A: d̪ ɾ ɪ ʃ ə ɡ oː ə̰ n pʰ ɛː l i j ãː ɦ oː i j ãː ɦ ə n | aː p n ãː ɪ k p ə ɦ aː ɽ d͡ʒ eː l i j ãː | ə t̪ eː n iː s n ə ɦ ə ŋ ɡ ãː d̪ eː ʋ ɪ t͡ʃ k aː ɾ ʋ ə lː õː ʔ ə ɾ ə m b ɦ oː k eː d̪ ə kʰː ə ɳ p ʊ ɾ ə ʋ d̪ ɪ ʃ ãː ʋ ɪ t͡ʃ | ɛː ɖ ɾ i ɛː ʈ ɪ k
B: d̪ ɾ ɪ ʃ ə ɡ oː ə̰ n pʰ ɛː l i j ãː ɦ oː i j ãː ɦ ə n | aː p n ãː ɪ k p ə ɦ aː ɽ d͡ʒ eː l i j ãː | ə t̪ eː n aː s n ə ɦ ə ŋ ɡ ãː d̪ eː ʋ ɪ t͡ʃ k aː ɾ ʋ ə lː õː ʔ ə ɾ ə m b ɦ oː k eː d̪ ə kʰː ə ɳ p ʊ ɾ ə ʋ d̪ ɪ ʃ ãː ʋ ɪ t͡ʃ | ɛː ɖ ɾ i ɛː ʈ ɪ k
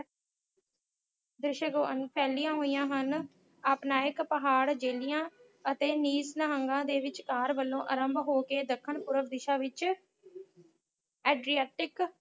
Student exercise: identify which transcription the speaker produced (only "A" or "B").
A